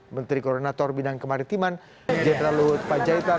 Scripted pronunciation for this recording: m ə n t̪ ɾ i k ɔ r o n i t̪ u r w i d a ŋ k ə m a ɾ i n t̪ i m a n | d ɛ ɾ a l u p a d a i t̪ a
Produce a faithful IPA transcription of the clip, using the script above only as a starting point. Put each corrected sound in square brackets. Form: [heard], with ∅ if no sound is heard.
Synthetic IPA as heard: m ə n t̪ ɾ i k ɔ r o n [a] t̪ [ɔ] r [b] i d a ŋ k ə m a ɾ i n t̪ i m a n | [d͡ʒ] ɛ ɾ a l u p a [d͡ʒ] a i t̪ a